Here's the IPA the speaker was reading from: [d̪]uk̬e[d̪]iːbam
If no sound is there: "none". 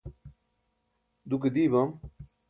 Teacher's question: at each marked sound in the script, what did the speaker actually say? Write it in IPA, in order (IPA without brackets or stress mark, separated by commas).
d̪, d̪